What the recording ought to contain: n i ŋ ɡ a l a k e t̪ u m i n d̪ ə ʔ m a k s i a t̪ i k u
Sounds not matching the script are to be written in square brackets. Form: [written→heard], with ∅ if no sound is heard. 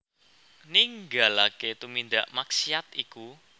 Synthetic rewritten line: n i ŋ ɡ a l a k e t̪ u m i n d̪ [ə→a] ʔ m a k s i a t̪ i k u